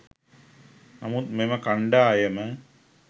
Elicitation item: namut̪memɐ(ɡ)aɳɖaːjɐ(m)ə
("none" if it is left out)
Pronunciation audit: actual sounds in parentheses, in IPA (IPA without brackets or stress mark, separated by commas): k, m